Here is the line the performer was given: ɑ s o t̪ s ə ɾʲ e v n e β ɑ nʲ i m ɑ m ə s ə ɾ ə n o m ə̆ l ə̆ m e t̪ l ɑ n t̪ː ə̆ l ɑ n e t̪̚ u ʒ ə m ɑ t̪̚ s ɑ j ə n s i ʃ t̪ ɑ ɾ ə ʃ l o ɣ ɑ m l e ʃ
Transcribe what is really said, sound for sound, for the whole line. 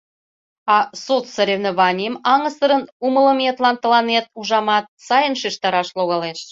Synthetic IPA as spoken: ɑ s o t̪ s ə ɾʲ e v n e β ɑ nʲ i m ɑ ŋ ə s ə ɾ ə n u m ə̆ l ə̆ m e t̪ l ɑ n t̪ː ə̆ l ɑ n e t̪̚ u ʒ ɑ m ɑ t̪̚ s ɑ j ə n ʃ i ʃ t̪ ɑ ɾ ɑ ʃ l o ɣ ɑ l e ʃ